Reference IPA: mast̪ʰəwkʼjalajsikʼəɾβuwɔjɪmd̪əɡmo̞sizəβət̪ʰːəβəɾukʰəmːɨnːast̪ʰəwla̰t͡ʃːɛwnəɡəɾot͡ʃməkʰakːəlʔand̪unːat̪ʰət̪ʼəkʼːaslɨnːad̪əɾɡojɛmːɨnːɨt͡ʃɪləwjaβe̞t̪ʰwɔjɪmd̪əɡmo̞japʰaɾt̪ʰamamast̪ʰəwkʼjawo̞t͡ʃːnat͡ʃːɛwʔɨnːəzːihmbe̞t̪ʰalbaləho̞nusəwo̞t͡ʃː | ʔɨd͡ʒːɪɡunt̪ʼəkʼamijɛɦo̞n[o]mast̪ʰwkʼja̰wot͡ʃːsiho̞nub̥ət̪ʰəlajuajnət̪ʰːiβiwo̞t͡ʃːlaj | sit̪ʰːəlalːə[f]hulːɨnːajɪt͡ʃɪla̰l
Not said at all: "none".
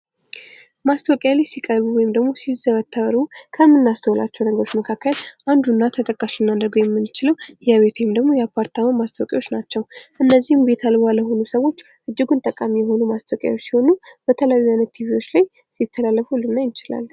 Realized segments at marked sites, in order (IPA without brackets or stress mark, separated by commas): u, f